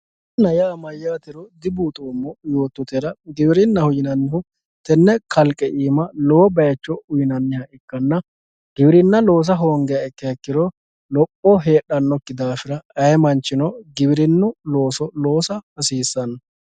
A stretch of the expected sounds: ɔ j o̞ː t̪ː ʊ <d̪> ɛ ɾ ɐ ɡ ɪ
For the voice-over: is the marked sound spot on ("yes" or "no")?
no